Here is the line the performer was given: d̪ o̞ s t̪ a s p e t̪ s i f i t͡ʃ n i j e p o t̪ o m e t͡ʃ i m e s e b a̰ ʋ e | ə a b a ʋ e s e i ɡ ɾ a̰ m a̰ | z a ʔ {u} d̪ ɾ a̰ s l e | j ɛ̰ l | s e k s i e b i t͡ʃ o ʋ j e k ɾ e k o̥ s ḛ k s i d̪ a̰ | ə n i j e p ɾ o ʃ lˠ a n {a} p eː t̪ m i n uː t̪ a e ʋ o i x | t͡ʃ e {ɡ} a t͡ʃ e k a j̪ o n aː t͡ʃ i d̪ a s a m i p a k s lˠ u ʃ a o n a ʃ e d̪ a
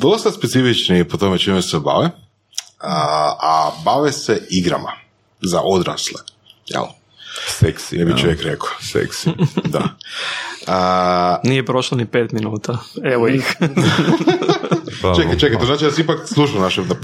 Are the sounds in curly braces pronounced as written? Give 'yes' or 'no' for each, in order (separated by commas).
no, no, no